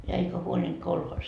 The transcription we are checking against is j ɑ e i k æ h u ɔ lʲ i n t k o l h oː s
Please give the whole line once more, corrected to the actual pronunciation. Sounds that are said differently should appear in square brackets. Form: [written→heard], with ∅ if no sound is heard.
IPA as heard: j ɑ e i k æ h u [ɔ→o] lʲ i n t k o l h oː s